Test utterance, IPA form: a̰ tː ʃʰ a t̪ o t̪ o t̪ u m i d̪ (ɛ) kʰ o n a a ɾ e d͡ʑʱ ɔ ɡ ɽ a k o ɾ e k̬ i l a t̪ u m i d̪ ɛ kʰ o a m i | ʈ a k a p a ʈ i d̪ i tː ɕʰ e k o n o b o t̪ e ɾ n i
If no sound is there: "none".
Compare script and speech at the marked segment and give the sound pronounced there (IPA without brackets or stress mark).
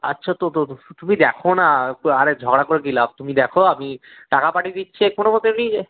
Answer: ɛ